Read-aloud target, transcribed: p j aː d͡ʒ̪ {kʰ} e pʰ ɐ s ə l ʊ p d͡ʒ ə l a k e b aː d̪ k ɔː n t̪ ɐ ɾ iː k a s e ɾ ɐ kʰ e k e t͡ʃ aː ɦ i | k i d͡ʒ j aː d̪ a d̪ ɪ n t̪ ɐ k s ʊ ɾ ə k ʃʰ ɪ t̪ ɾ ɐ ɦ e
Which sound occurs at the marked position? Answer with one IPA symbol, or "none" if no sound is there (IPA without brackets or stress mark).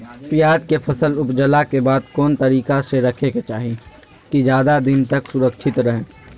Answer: k